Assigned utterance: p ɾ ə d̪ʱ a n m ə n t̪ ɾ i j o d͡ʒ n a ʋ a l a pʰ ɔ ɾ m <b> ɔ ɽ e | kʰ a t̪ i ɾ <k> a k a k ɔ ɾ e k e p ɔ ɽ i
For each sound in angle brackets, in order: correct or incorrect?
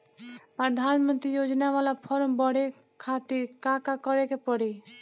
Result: correct, correct

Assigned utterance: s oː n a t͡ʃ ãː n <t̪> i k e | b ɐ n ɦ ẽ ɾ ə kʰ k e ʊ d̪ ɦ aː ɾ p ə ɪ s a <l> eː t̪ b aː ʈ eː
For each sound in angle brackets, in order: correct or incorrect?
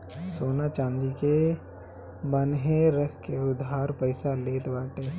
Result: incorrect, correct

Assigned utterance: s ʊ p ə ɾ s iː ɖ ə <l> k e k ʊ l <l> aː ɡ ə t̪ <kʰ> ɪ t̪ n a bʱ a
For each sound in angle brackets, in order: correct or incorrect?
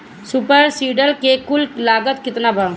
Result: correct, correct, incorrect

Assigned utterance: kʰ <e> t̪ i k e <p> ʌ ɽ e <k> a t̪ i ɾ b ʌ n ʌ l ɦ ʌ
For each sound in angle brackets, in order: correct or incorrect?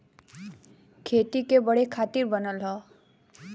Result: correct, incorrect, incorrect

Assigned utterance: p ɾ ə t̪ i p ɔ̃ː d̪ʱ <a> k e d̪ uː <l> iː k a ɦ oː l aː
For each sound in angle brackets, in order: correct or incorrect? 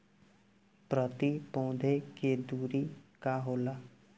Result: incorrect, incorrect

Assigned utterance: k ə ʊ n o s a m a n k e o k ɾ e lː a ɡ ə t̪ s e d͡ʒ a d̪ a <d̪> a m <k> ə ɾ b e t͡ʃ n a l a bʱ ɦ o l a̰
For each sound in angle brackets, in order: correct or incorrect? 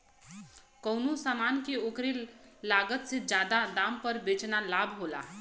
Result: correct, incorrect

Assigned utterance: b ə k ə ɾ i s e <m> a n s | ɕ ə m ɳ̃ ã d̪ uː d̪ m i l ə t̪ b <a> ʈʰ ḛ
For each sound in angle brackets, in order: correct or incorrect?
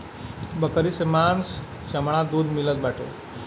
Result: correct, correct

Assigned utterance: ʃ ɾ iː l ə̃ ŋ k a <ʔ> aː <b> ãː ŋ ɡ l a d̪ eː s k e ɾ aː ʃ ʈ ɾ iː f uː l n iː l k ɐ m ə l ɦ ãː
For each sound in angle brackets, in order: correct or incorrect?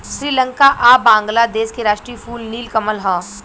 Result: correct, correct

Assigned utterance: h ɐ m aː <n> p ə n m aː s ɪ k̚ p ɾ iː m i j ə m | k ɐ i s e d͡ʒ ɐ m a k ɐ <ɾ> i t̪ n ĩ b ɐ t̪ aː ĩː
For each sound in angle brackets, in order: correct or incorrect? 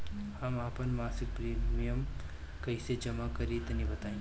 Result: incorrect, correct

